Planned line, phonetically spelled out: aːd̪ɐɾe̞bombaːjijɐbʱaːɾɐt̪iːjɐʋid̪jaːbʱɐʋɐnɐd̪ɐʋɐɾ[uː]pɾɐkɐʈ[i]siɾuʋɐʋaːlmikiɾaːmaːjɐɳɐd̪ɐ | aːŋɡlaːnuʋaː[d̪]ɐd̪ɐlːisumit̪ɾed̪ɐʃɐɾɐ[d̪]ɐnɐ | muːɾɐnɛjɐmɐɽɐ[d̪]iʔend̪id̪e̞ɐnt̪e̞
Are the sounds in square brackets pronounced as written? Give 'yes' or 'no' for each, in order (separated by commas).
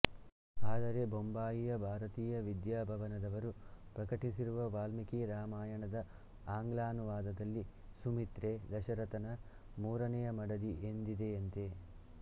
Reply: no, yes, yes, no, yes